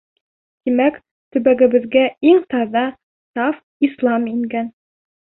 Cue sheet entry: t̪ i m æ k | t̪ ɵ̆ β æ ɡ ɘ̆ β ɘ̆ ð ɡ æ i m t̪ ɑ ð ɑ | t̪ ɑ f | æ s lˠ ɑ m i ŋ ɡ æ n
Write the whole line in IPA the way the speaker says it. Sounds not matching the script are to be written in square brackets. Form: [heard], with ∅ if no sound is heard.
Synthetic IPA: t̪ i m æ k | t̪ ɵ̆ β æ ɡ ɘ̆ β ɘ̆ ð ɡ æ i [ŋ] t̪ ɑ ð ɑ | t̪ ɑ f | [i] s lˠ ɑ m i ŋ ɡ æ n